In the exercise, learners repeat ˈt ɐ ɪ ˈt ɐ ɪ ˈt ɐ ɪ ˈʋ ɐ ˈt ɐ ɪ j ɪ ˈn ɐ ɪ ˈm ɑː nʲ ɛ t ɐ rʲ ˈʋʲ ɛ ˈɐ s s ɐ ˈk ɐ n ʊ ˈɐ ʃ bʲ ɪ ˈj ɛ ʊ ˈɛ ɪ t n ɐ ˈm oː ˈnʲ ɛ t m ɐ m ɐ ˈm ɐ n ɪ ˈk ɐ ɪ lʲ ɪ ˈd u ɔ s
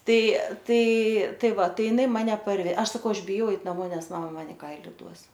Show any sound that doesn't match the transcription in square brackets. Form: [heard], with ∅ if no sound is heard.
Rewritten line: ˈt ɐ ɪ ˈt ɐ ɪ ˈt ɐ ɪ ˈʋ ɐ ˈt ɐ ɪ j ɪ ˈn ɐ ɪ ˈm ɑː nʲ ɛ [p] ɐ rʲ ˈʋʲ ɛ ˈɐ [ʃ] s ɐ ˈk ɐ [∅] ʊ ˈɐ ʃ bʲ ɪ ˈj ɛ ʊ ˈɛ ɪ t n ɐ ˈm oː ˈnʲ ɛ [s] m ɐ m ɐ ˈm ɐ n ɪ ˈk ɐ ɪ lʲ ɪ ˈd u ɔ s